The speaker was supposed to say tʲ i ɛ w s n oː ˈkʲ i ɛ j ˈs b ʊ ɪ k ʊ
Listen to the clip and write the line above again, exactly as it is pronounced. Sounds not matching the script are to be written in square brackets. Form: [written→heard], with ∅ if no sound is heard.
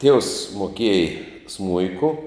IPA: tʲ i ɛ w s [n→m] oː ˈkʲ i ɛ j ˈs [b→m] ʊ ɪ k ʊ

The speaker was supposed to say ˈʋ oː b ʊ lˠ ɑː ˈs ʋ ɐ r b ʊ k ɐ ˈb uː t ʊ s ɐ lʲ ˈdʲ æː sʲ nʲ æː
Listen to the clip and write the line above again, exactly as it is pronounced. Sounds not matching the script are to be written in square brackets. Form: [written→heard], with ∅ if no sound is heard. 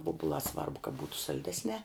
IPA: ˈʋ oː b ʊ lˠ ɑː ˈs ʋ ɐ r b ʊ k ɐ ˈb uː t ʊ s ɐ lʲ ˈdʲ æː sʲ nʲ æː

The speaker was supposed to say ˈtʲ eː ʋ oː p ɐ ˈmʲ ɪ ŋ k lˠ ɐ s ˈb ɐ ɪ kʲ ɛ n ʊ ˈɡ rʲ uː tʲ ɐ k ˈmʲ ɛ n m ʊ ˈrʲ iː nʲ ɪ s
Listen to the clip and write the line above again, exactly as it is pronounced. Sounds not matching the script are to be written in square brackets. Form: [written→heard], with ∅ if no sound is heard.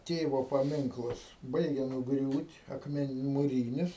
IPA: ˈtʲ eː ʋ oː p ɐ ˈmʲ ɪ ŋ k lˠ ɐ s ˈb ɐ ɪ [kʲ→ɡʲ] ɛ n ʊ ˈɡ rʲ uː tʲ ɐ k ˈmʲ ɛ n m ʊ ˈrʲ iː nʲ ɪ s

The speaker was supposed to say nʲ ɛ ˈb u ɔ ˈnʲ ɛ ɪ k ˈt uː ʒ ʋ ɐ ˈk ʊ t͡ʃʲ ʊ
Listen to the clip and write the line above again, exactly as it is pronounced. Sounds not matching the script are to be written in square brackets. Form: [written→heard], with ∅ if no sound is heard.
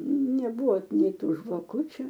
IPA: nʲ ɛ ˈb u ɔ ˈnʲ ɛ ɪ [k→∅] ˈt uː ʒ ʋ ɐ ˈk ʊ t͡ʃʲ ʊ

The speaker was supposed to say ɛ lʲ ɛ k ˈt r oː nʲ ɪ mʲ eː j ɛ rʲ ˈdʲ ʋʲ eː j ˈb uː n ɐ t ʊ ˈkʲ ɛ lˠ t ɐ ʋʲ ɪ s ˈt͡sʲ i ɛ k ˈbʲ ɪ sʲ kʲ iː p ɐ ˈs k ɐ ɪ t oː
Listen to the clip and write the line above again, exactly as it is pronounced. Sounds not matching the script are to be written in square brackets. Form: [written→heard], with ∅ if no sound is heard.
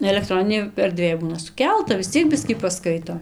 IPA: ɛ lʲ ɛ k ˈt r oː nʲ ɪ [mʲ→nʲ] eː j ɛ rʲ ˈdʲ ʋʲ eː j ˈb uː n ɐ [t→s] ʊ ˈkʲ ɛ lˠ t ɐ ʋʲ ɪ s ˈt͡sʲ i ɛ k ˈbʲ ɪ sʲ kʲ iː p ɐ ˈs k ɐ ɪ t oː

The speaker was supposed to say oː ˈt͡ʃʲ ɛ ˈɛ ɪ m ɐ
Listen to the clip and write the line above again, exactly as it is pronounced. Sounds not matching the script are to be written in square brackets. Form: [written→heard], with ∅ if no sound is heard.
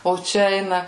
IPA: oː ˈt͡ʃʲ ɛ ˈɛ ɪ [m→n] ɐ

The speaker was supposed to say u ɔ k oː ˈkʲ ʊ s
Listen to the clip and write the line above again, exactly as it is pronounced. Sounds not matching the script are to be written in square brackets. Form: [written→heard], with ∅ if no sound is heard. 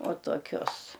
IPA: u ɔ [k→t] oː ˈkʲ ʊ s

